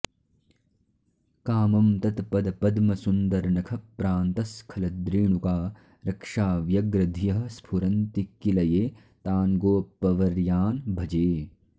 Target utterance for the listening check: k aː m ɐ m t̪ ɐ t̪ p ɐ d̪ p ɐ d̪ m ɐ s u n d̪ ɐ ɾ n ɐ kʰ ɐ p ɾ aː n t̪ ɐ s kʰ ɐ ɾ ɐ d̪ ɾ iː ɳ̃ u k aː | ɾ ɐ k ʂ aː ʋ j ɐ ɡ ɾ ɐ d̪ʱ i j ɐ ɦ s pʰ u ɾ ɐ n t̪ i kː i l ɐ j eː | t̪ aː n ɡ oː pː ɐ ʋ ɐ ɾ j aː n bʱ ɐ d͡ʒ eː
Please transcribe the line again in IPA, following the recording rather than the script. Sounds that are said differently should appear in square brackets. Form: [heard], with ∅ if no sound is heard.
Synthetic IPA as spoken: k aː m ɐ m t̪ ɐ t̪ p ɐ d̪ p ɐ d̪ m ɐ s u n d̪ ɐ ɾ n ɐ kʰ ɐ p ɾ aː n t̪ ɐ s kʰ ɐ [l] ɐ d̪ ɾ iː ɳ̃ u k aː | ɾ ɐ k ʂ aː ʋ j ɐ ɡ ɾ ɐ d̪ʱ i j ɐ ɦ s pʰ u ɾ ɐ n t̪ i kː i l ɐ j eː | t̪ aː n ɡ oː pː ɐ ʋ ɐ ɾ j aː n bʱ ɐ d͡ʒ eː

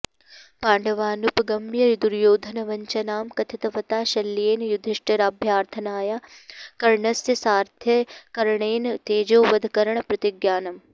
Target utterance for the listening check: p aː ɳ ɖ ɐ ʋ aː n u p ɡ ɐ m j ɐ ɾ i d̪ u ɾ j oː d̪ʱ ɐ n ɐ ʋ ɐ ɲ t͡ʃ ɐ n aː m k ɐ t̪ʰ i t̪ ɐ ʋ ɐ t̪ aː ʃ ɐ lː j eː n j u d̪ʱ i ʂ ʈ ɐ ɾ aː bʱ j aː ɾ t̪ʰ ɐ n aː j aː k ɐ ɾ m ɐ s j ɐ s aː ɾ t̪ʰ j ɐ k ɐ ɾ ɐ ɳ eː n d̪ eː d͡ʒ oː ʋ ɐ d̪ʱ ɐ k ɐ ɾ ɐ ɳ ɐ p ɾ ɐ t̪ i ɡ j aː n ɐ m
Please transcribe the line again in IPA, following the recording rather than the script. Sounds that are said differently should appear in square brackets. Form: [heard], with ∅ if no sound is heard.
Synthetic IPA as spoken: p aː ɳ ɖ ɐ ʋ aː n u p ɡ ɐ m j ɐ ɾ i d̪ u ɾ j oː d̪ʱ ɐ n ɐ ʋ ɐ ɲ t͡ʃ ɐ n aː m k ɐ t̪ʰ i t̪ ɐ ʋ ɐ t̪ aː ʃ ɐ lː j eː n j u d̪ʱ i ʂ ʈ ɐ ɾ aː bʱ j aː ɾ t̪ʰ ɐ n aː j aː k ɐ ɾ [ɳ] ɐ s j ɐ s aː ɾ t̪ʰ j ɐ k ɐ ɾ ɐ ɳ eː n [t̪] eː d͡ʒ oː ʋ ɐ d̪ʱ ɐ k ɐ ɾ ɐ ɳ ɐ p ɾ ɐ t̪ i ɡ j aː n ɐ m

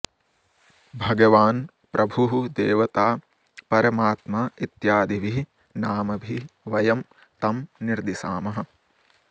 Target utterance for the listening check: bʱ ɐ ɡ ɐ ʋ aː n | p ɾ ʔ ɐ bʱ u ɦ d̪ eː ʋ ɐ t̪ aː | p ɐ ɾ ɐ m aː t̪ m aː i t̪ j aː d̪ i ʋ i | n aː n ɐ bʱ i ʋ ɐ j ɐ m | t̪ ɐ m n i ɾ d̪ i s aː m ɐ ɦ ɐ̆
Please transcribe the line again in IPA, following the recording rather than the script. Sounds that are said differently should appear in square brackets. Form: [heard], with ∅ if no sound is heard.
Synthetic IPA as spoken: bʱ ɐ ɡ ɐ ʋ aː n | p ɾ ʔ ɐ bʱ u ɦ d̪ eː ʋ ɐ t̪ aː | p ɐ ɾ ɐ m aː t̪ m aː i t̪ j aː d̪ i ʋ i | n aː [m] ɐ bʱ i ʋ ɐ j ɐ m | t̪ ɐ m n i ɾ d̪ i s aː m ɐ ɦ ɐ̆

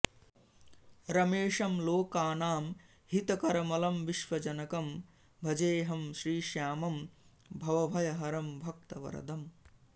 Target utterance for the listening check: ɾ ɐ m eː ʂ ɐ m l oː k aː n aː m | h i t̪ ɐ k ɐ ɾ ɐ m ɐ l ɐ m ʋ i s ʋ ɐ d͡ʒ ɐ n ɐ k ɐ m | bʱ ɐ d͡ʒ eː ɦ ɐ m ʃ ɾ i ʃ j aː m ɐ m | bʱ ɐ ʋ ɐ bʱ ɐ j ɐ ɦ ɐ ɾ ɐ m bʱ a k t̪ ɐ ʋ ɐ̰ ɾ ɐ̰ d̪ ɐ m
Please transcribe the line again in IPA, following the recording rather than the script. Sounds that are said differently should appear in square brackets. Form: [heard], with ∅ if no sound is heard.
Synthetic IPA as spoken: ɾ ɐ m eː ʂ ɐ m l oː k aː n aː m | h i t̪ ɐ k ɐ ɾ ɐ m ɐ l ɐ m ʋ i [ʃ] ʋ ɐ d͡ʒ ɐ n ɐ k ɐ m | bʱ ɐ d͡ʒ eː ɦ ɐ m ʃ ɾ [iː] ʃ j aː m ɐ m | bʱ ɐ ʋ ɐ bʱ ɐ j ɐ ɦ ɐ ɾ ɐ m bʱ [ɐ] k t̪ ɐ ʋ ɐ̰ ɾ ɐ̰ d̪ ɐ m

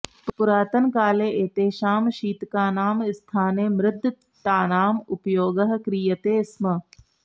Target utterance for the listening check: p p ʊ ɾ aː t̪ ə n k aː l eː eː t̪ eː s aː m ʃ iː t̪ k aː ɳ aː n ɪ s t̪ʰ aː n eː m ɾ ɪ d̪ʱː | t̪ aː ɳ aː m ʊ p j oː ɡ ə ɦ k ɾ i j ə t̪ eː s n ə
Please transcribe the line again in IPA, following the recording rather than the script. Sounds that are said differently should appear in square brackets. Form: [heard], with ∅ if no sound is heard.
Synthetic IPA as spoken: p p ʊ ɾ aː t̪ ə n k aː l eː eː t̪ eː [ʃ] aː m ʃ iː t̪ k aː [n] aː [m] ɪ s t̪ʰ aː n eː m ɾ ɪ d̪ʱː | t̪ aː [n] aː m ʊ p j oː ɡ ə ɦ k ɾ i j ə t̪ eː s [m] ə

